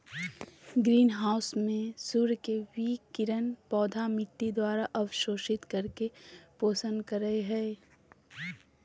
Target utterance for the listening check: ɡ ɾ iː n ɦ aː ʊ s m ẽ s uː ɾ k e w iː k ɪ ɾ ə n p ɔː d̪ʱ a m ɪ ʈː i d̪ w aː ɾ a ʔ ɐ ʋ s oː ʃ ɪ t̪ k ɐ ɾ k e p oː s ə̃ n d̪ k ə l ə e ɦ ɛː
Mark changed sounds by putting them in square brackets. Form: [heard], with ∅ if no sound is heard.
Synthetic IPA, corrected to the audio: ɡ ɾ iː n ɦ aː ʊ s m ẽ s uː ɾ k e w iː k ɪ ɾ ə n p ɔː d̪ʱ a m ɪ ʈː i d̪ w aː ɾ a ʔ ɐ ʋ [ʃ] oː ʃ ɪ t̪ k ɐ ɾ k e p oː s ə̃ n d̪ k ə [ɾ] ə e ɦ ɛː